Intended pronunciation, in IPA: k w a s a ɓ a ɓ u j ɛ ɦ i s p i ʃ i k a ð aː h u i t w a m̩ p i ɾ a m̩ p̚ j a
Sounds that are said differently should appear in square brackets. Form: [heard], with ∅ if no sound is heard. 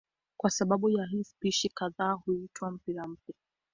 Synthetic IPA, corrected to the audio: k w a s a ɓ a ɓ u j [a] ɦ i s p i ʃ i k a ð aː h u i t w a m̩ p i ɾ a m̩ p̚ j a